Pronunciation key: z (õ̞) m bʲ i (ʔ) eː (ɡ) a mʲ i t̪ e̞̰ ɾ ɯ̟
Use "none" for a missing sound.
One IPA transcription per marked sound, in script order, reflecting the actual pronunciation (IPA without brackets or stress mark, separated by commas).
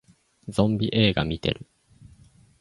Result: õ̞, ʔ, ɡ